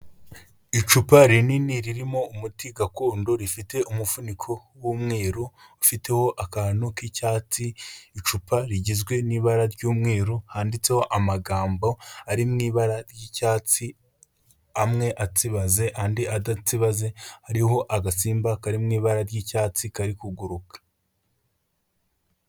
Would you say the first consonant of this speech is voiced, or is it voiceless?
voiceless